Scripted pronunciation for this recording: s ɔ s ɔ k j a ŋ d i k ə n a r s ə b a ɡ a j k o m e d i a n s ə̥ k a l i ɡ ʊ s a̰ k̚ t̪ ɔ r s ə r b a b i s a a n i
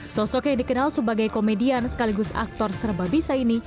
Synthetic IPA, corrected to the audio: s ɔ s ɔ k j a ŋ d i k ə n a l s ə b a ɡ a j k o m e d i a n s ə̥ k a l i ɡ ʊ s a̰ k̚ t̪ ɔ r s ə r b a b i s a i n i